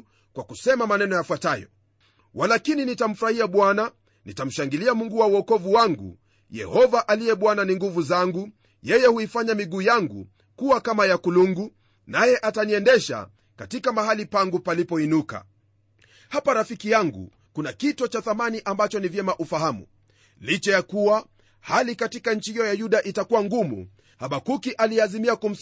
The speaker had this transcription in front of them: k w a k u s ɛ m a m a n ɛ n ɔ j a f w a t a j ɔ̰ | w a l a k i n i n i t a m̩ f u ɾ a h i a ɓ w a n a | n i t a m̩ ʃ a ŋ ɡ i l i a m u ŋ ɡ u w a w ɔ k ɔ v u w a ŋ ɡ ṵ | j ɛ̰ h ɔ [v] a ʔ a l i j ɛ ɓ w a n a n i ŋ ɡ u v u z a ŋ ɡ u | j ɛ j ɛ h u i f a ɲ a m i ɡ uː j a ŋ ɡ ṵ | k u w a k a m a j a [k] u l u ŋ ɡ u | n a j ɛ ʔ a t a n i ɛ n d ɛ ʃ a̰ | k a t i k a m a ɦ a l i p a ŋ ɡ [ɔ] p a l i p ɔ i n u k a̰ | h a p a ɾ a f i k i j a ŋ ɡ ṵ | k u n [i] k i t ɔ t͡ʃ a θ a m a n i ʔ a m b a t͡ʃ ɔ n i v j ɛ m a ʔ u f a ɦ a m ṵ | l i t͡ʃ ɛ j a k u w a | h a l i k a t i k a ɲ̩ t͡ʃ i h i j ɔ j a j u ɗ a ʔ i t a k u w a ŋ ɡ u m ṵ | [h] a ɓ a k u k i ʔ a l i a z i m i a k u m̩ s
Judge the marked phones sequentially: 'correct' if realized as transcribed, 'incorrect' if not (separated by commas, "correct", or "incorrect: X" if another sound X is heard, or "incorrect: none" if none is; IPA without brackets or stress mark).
correct, correct, incorrect: u, incorrect: a, correct